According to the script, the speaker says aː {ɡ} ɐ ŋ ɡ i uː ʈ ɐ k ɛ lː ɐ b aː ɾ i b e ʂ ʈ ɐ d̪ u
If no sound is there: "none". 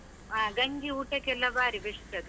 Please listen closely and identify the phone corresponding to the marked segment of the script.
ɡ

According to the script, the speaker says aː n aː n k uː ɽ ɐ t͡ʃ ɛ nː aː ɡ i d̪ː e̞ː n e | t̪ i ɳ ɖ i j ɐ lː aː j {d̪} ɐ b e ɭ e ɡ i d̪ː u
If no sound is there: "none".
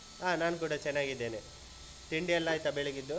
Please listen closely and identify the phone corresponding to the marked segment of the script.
t̪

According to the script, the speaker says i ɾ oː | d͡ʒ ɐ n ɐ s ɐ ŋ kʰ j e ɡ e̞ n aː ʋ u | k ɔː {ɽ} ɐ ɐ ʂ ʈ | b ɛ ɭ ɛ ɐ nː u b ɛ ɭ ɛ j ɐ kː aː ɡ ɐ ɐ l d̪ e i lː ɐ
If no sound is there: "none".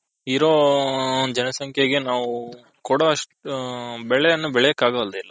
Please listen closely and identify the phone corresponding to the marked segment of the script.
ɽ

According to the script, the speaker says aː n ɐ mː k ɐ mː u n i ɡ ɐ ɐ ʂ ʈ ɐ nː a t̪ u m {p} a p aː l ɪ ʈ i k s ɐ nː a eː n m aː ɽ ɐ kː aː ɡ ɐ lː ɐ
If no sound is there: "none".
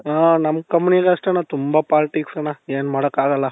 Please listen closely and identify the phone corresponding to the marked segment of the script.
b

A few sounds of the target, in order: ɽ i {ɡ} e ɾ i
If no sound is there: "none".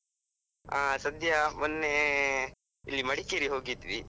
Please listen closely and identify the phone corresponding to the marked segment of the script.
k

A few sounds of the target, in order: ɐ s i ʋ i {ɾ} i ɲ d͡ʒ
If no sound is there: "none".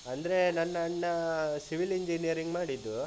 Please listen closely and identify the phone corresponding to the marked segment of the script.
l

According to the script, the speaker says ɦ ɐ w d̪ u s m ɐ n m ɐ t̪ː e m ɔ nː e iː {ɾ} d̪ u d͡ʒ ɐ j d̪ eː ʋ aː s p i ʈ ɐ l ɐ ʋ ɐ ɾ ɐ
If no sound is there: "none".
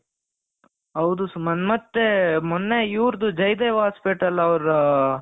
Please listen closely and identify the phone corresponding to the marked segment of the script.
ɾ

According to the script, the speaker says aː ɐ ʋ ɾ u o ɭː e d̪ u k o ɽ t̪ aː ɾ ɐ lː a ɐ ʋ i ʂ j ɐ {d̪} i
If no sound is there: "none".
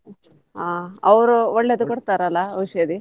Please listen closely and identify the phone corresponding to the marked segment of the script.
d̪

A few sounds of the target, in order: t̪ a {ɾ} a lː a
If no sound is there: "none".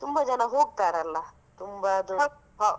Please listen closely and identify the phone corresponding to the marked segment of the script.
ɾ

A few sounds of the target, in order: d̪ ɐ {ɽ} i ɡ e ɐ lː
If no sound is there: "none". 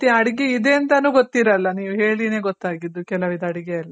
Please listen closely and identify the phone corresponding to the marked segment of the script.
ɽ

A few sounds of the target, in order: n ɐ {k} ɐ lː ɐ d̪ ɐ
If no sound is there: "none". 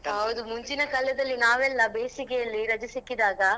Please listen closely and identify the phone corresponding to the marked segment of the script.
k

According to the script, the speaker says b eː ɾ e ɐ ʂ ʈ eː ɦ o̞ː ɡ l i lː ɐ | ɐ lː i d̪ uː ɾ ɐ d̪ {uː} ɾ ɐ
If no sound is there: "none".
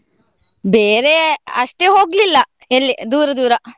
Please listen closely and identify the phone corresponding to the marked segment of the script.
uː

